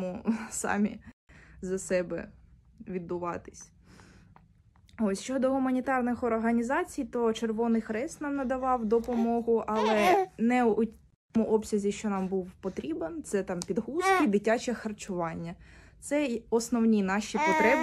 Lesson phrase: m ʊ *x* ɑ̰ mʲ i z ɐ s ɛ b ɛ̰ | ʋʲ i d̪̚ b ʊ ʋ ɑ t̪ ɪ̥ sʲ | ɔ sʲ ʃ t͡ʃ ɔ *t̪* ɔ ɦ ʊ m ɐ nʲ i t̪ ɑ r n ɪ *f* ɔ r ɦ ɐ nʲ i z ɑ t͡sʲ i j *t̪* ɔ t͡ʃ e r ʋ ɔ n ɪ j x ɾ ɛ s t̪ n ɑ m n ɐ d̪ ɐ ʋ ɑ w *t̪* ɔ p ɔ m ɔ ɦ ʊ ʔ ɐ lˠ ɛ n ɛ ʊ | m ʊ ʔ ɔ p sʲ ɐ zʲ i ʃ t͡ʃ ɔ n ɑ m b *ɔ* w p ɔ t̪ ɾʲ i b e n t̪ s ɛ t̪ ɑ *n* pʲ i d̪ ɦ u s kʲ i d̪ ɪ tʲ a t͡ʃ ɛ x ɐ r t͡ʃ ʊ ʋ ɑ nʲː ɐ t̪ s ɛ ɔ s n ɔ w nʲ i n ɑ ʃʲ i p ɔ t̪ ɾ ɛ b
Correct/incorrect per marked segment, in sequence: incorrect: s, incorrect: d̪, incorrect: x, correct, incorrect: d̪, incorrect: u, incorrect: m

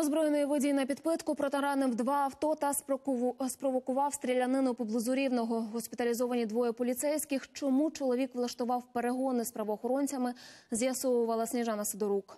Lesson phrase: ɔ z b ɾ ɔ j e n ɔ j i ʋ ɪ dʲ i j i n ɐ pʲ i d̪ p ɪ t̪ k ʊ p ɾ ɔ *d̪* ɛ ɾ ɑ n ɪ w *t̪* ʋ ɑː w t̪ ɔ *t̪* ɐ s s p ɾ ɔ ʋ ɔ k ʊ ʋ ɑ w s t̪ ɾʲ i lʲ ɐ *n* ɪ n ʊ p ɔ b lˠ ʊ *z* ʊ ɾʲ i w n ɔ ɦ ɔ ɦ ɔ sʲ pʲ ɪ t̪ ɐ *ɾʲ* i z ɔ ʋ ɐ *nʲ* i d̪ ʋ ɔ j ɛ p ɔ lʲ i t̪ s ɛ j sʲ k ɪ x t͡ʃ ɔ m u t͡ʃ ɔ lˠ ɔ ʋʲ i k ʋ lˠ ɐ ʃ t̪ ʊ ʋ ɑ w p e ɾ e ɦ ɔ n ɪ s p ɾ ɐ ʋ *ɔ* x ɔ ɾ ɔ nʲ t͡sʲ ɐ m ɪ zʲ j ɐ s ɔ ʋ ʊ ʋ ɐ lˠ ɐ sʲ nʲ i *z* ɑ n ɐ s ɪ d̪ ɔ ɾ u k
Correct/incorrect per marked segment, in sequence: incorrect: t̪, incorrect: d̪, correct, correct, correct, incorrect: lʲ, correct, incorrect: ɔː, incorrect: ʒ

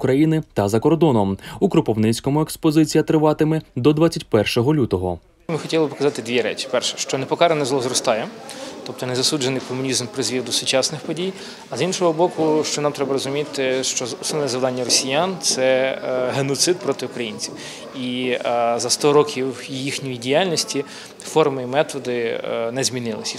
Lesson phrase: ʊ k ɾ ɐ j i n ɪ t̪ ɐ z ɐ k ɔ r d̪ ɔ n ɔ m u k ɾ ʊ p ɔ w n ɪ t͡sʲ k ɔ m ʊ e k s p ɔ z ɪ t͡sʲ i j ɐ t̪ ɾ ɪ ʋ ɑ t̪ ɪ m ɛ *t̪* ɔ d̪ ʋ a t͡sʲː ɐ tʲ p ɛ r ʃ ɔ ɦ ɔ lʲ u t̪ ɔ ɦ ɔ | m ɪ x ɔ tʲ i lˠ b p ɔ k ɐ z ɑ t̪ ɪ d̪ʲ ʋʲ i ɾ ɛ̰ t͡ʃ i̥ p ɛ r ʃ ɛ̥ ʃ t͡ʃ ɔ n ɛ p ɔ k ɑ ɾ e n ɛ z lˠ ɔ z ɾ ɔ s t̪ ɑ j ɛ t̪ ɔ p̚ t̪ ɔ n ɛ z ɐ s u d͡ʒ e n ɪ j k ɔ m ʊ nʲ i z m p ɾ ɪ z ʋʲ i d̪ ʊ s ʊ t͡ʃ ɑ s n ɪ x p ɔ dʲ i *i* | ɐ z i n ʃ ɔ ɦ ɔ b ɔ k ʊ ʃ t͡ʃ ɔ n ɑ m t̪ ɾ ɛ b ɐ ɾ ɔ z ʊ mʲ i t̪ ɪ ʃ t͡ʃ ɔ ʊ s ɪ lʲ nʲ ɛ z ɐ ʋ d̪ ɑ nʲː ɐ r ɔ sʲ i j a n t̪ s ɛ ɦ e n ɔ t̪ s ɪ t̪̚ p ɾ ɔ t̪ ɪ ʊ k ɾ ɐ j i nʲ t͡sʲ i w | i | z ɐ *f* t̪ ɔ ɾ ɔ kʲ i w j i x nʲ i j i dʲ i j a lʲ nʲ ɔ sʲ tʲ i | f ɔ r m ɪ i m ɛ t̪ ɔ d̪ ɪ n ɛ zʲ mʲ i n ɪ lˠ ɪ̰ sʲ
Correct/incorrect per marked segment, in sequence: incorrect: d̪, incorrect: j, incorrect: s

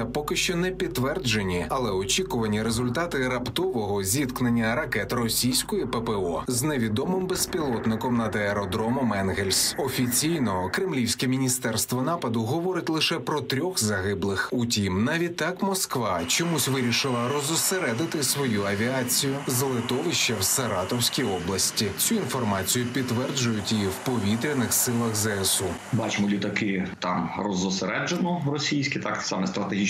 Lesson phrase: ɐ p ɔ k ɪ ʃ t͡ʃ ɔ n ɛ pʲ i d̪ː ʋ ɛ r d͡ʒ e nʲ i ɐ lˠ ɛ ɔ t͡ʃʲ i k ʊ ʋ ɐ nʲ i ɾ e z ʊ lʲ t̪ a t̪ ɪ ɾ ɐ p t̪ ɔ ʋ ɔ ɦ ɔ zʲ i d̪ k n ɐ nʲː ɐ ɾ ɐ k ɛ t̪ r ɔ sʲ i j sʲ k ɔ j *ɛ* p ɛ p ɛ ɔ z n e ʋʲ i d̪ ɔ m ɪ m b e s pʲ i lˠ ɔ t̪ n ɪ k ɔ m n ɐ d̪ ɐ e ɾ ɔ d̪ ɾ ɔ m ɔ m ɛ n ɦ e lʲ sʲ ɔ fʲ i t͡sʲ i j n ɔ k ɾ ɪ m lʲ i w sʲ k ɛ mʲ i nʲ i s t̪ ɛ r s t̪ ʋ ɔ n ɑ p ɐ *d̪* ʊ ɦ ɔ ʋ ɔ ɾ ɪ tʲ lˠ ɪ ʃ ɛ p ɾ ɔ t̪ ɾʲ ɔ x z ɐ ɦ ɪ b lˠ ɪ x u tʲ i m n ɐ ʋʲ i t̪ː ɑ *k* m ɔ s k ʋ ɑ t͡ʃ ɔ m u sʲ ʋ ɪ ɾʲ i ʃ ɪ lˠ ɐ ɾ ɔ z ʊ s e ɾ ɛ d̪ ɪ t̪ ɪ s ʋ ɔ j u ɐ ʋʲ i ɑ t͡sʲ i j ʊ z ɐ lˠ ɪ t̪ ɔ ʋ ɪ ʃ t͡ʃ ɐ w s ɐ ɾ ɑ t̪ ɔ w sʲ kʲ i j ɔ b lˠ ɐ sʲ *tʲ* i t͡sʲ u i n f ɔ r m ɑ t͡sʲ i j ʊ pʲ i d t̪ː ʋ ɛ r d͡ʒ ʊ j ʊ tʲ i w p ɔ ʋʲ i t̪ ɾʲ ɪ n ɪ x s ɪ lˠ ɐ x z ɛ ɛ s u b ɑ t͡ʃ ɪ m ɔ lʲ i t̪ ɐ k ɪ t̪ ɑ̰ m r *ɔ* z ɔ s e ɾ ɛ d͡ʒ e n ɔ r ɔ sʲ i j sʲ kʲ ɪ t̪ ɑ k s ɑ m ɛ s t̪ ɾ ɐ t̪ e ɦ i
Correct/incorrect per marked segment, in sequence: incorrect: i, correct, correct, correct, correct

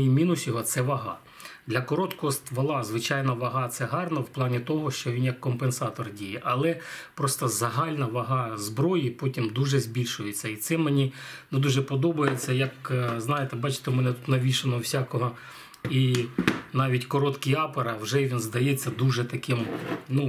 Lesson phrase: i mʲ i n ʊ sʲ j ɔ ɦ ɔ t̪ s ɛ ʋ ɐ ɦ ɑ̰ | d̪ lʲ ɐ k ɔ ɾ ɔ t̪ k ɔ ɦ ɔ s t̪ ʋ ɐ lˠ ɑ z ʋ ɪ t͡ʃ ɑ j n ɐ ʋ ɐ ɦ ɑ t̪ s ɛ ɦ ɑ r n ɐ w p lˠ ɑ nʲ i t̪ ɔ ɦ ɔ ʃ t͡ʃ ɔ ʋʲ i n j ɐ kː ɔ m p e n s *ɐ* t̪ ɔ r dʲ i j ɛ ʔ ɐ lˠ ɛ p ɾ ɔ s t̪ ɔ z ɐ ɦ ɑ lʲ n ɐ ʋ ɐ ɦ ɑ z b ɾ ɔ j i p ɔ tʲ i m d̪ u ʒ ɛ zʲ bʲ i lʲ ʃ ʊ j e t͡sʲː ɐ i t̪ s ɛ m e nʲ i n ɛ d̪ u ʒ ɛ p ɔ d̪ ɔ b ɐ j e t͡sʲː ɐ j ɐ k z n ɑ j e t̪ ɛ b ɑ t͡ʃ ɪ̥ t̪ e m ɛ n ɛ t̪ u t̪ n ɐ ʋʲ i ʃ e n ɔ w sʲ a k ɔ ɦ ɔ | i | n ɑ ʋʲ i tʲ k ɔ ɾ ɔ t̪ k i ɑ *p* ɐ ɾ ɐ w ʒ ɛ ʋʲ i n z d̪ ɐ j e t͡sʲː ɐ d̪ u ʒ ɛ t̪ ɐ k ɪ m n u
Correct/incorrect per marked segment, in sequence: incorrect: ɑ, correct

